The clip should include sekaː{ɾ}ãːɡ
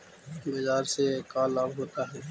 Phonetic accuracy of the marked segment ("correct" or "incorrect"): incorrect